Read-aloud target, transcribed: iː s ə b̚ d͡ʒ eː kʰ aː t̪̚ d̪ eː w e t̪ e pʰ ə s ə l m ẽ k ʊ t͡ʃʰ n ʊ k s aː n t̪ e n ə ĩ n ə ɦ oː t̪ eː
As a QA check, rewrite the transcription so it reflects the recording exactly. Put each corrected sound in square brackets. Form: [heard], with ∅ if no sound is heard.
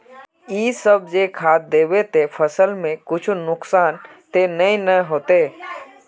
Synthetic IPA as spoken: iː s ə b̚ d͡ʒ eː kʰ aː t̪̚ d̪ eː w e t̪ e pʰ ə s ə l m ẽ k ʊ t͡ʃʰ n ʊ k s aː n t̪ e n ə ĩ n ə ɦ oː t̪ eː